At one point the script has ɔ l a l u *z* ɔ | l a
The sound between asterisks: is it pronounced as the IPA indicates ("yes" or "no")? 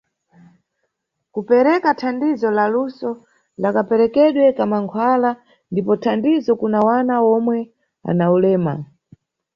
no